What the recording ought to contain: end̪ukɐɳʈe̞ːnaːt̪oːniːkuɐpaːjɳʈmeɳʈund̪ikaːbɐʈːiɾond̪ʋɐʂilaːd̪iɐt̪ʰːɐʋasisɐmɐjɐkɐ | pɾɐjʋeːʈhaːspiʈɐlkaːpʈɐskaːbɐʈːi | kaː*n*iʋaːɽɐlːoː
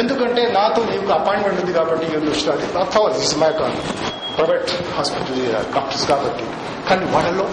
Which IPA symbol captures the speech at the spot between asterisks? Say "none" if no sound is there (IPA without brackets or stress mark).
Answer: n